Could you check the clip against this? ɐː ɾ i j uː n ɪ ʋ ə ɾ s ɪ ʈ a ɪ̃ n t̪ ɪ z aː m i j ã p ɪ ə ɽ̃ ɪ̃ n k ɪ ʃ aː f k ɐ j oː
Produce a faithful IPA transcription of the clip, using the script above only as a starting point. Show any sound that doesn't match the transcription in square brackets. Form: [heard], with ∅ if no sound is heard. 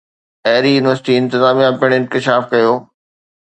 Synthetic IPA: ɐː ɾ i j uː n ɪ ʋ ə ɾ s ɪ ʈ [i] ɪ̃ n t̪ ɪ z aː m i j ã p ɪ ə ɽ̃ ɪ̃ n k ɪ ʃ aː f k ɐ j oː

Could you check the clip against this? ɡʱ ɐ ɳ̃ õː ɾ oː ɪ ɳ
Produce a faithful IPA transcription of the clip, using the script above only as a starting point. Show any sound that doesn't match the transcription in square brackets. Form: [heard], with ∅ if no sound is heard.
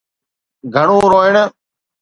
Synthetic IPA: ɡʱ [ə] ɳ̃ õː ɾ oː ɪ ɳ

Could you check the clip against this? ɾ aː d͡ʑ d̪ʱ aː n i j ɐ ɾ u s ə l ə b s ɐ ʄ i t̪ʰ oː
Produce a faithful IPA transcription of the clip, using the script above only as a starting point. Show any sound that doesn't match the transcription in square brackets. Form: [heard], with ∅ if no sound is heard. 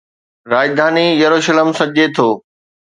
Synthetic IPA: ɾ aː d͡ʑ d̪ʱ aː n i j ɐ ɾ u [ʃ] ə l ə [m] s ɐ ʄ [e] t̪ʰ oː

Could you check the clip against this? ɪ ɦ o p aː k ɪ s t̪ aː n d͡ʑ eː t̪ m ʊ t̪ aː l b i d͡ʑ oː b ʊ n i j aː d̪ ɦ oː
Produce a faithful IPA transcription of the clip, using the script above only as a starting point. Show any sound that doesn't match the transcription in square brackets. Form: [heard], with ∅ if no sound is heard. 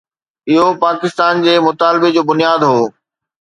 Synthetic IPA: ɪ ɦ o p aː k ɪ s t̪ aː n d͡ʑ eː [∅] m ʊ t̪ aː l b [e] d͡ʑ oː b ʊ n i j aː d̪ ɦ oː

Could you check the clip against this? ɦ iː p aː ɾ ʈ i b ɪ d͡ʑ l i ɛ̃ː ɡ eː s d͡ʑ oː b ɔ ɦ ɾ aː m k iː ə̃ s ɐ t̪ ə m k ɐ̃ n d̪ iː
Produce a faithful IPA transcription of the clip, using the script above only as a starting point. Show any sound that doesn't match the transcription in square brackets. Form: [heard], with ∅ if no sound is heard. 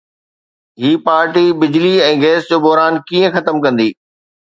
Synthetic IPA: ɦ iː p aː ɾ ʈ i b ɪ d͡ʑ l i ɛ̃ː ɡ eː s d͡ʑ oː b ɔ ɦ ɾ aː [n] k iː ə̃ [x] ɐ t̪ ə m k ɐ̃ n d̪ iː

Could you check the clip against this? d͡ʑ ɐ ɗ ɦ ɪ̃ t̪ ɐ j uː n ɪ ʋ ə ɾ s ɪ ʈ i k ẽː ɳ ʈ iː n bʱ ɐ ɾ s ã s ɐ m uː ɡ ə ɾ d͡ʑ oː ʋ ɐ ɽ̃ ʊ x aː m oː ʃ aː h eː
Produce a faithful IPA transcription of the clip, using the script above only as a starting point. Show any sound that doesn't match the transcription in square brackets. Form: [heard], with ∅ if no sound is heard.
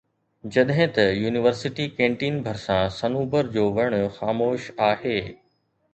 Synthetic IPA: d͡ʑ ɐ ɗ ɦ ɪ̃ t̪ ɐ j uː n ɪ ʋ ə ɾ s ɪ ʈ i k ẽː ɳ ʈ iː n bʱ ɐ ɾ s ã s ɐ [n] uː [b] ə ɾ d͡ʑ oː ʋ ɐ ɽ̃ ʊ x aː m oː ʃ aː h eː

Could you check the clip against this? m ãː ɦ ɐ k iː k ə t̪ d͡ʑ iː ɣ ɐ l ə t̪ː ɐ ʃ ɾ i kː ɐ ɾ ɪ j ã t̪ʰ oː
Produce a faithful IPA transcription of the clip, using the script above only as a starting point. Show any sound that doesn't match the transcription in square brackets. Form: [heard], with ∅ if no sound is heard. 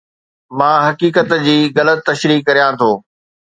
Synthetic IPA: m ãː ɦ ɐ k iː k ə t̪ d͡ʑ iː ɣ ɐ l ə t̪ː ɐ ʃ ɾ [iː] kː ɐ ɾ [i] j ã t̪ʰ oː

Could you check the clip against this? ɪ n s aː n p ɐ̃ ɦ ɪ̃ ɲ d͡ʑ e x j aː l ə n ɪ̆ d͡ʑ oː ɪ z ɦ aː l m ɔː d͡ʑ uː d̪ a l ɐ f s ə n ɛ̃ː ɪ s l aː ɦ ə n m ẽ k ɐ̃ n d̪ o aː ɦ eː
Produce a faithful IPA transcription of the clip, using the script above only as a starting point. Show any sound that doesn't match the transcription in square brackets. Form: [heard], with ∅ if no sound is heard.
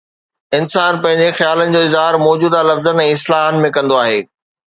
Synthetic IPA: ɪ n s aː n p ɐ̃ ɦ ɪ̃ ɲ d͡ʑ e x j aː l ə n ɪ̆ d͡ʑ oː ɪ z ɦ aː [ɾ] m ɔː d͡ʑ uː d̪ a l ɐ f [z] ə n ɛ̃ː ɪ s l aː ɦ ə n m ẽ k ɐ̃ n d̪ o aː ɦ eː

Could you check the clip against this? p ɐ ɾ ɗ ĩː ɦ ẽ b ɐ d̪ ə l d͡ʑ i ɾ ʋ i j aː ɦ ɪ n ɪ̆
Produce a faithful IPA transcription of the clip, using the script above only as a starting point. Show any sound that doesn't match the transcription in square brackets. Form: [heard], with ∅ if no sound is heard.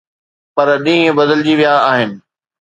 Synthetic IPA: p ɐ ɾ ɗ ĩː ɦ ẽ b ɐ d̪ ə l d͡ʑ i [∅] ʋ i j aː ɦ ɪ n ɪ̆

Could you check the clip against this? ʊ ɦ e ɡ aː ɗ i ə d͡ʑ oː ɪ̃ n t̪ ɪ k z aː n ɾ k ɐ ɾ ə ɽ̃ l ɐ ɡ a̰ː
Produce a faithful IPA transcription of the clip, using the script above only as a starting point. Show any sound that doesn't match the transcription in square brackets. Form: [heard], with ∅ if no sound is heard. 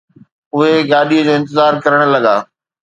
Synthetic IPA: ʊ ɦ e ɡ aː ɗ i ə d͡ʑ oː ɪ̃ n t̪ ɪ [∅] z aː [∅] ɾ k ɐ ɾ ə ɽ̃ l ɐ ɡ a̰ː

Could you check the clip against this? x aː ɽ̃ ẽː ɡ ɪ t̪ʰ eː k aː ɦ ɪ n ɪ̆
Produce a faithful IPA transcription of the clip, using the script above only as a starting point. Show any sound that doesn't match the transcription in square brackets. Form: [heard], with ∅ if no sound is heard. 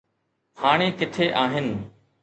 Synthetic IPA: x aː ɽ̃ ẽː [k] ɪ t̪ʰ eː [ʔ] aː ɦ ɪ n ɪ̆

